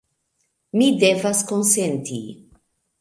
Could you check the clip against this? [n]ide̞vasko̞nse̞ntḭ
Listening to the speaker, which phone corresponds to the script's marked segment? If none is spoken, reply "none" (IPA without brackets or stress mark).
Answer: m